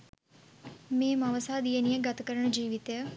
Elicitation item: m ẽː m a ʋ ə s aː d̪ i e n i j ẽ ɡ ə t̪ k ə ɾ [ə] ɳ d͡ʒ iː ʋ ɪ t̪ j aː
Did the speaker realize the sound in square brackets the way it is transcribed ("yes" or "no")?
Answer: yes